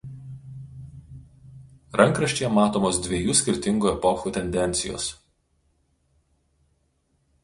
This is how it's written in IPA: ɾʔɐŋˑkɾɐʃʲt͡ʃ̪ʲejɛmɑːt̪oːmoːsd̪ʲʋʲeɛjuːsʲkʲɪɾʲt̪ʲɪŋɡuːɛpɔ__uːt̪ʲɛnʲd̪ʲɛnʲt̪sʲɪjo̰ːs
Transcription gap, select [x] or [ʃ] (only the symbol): x